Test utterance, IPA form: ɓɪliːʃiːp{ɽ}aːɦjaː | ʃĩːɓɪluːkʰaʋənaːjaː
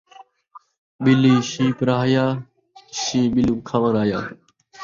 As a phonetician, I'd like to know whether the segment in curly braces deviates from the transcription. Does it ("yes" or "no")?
yes